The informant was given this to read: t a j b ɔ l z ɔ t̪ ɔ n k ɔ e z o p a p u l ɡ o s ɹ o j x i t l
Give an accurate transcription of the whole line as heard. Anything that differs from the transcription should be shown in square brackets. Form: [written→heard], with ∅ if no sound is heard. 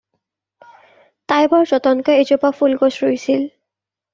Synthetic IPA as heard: t a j b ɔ [l→ɹ] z ɔ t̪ ɔ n k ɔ e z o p a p u l ɡ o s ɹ o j [x→s] i [t→∅] l